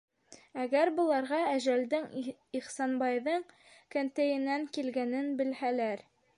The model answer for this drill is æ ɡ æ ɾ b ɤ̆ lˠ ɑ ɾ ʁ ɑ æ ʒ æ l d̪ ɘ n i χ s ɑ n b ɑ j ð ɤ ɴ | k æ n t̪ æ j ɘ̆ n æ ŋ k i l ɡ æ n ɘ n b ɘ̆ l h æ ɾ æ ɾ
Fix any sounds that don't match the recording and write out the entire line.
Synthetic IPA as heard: æ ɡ æ ɾ b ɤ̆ lˠ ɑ ɾ ʁ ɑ æ ʒ æ l d̪ ɘ ŋ i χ s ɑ n b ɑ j ð ɤ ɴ | k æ n t̪ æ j ɘ̆ n æ ŋ k i l ɡ æ n ɘ n b ɘ̆ l h æ l æ ɾ